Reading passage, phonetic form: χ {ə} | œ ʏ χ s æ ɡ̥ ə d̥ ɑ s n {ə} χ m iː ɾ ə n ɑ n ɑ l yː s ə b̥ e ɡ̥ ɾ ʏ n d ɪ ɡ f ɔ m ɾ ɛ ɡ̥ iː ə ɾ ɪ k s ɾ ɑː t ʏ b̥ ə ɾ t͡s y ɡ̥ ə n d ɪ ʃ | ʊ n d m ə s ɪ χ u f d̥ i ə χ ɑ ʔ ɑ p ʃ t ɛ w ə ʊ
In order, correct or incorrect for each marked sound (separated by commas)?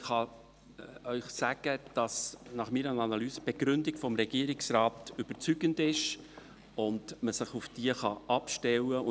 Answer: incorrect, incorrect